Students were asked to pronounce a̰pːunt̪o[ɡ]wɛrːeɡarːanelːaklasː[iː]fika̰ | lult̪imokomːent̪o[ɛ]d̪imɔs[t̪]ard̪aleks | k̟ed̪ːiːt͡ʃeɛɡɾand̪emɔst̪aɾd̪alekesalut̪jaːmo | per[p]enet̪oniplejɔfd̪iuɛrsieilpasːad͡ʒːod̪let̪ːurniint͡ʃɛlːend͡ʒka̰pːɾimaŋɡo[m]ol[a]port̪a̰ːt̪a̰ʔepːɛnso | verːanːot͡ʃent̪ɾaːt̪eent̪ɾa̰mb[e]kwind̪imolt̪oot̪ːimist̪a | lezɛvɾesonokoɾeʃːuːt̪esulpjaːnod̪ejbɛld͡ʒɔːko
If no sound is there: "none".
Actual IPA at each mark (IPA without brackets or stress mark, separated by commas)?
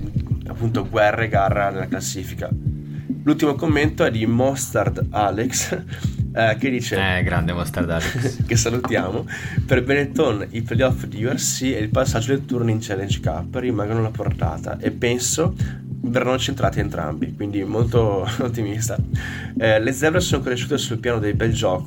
ɡ, iː, ɛ, t̪, b, n, a, i